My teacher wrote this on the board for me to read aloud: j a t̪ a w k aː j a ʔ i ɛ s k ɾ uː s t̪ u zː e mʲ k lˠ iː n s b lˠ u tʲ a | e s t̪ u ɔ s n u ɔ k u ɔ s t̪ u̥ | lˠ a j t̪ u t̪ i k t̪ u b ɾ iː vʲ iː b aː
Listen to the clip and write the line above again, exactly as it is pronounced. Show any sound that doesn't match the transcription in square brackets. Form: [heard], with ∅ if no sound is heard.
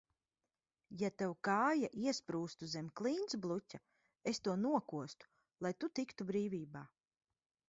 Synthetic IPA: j a t̪ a w k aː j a ʔ i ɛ s [p] ɾ uː s t̪ u [z] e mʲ k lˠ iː n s b lˠ u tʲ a | e s t̪ u ɔ [∅] n u ɔ k u ɔ s t̪ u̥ | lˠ a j t̪ u t̪ i k t̪ u b ɾ iː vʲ iː b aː